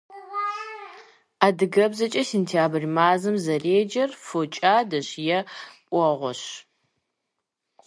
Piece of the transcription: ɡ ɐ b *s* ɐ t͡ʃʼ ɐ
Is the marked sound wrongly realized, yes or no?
yes